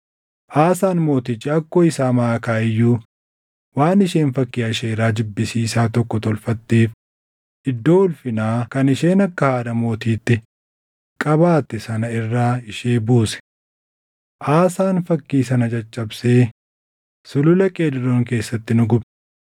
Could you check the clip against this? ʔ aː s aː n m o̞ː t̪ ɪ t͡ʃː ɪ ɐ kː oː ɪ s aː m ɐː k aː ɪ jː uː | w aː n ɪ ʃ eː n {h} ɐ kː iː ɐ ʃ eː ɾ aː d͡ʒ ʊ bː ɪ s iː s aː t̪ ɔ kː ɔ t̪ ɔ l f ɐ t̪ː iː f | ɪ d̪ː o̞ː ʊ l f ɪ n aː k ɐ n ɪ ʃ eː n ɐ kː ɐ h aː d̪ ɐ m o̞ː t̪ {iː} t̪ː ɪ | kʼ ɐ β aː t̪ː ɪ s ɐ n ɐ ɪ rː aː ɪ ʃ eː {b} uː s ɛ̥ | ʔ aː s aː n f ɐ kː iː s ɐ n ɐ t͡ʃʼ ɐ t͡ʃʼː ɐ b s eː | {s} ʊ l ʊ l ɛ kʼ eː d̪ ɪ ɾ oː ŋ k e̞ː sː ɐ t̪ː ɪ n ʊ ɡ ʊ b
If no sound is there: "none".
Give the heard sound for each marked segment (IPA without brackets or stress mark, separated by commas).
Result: f, iː, b, s